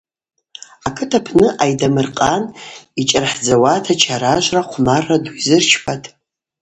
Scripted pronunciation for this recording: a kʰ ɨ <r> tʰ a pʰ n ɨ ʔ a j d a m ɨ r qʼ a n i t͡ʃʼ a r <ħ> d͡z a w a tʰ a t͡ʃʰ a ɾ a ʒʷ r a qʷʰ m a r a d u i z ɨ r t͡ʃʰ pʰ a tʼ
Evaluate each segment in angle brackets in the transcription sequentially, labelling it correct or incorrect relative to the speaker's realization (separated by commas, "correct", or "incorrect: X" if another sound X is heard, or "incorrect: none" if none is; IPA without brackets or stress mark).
incorrect: none, correct